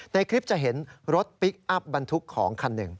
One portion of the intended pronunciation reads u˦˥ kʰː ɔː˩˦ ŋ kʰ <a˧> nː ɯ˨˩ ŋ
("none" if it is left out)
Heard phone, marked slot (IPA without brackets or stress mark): a˧